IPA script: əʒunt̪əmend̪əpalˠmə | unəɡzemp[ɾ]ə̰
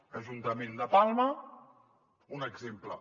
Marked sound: incorrect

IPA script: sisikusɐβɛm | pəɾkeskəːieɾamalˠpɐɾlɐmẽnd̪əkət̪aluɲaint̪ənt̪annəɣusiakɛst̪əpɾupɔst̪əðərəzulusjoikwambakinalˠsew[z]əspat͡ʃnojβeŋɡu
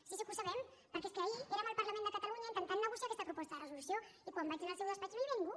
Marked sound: incorrect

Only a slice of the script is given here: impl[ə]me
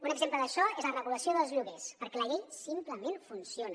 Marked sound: correct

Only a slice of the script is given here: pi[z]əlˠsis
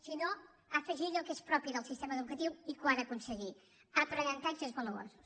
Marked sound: incorrect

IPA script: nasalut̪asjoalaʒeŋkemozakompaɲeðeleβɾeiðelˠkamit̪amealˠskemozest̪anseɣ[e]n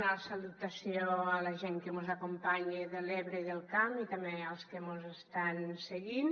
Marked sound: incorrect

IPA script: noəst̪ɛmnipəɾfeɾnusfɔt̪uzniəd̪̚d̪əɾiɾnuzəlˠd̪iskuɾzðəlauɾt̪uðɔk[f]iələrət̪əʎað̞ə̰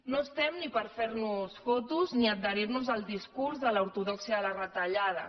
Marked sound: incorrect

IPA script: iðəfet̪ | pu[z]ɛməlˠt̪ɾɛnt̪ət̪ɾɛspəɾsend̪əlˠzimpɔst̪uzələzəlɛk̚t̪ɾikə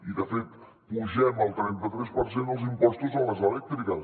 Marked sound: incorrect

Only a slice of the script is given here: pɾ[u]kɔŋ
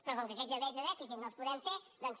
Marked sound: incorrect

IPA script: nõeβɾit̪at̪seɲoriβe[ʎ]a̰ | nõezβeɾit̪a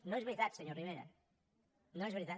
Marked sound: incorrect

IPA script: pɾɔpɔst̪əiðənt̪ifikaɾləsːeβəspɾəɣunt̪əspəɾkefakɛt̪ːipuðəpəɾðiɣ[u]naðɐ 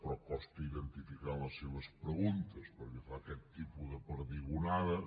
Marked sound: correct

